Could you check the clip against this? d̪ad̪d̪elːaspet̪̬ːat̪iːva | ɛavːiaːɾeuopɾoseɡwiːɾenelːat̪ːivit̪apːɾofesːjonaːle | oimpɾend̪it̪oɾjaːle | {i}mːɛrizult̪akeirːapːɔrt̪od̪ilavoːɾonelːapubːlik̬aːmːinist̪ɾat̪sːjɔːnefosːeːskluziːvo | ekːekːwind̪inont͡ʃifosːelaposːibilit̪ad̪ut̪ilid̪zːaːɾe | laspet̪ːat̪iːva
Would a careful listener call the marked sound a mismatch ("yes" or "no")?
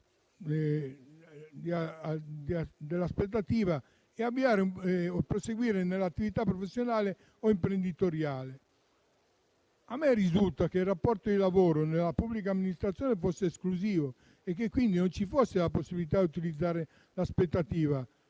yes